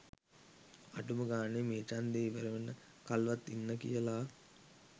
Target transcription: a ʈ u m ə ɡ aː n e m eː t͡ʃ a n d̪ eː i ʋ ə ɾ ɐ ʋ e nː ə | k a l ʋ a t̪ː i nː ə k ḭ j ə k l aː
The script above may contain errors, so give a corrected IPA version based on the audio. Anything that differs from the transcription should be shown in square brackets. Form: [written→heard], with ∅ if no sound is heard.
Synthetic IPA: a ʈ u m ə ɡ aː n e m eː t͡ʃ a n d̪ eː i ʋ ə ɾ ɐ ʋ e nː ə | k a l ʋ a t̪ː i nː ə k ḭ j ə [k→∅] l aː